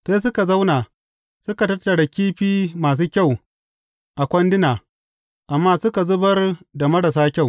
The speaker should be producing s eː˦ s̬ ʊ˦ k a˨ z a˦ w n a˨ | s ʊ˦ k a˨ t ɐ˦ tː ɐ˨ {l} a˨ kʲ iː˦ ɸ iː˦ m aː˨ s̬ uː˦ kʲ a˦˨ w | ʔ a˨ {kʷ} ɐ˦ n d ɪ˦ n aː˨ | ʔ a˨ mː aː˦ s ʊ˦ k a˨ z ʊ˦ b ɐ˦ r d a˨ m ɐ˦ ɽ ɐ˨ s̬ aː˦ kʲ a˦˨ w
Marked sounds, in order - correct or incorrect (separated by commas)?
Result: incorrect, correct